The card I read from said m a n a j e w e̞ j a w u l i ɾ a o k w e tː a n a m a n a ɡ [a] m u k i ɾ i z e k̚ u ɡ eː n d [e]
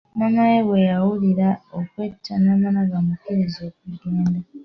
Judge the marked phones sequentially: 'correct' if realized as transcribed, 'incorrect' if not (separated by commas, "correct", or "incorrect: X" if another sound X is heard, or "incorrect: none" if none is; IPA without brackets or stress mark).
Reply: correct, incorrect: a